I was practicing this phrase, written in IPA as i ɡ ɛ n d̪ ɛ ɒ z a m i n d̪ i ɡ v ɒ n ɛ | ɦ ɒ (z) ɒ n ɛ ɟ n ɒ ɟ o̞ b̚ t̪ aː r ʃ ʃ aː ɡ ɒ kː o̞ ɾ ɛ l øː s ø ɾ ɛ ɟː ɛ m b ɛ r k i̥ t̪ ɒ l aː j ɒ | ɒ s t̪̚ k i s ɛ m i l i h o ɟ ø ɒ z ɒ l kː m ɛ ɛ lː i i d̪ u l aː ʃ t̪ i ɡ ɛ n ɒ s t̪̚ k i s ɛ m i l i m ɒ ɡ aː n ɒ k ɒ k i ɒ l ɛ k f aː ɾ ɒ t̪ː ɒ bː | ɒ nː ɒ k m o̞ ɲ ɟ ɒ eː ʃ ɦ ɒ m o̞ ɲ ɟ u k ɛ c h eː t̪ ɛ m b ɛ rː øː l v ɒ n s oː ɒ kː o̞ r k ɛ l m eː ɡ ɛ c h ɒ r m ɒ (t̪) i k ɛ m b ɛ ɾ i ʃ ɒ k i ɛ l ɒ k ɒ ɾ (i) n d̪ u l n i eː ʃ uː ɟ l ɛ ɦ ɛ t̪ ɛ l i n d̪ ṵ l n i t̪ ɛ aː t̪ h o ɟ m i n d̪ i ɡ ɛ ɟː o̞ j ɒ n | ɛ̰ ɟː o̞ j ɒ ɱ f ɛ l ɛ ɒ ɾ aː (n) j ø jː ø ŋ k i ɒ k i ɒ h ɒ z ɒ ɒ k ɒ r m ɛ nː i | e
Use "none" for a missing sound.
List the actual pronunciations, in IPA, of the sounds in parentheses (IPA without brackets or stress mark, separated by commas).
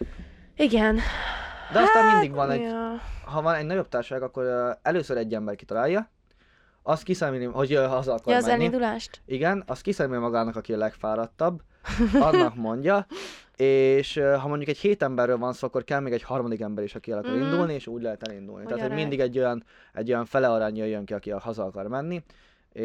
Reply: v, d̪, i, ɲ